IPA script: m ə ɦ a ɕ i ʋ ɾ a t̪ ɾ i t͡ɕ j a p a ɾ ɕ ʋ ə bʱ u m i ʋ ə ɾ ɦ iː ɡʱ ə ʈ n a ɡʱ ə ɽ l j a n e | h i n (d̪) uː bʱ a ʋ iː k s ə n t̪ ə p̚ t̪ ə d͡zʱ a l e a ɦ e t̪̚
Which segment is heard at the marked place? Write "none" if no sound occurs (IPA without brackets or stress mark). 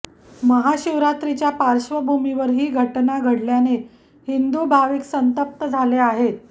d̪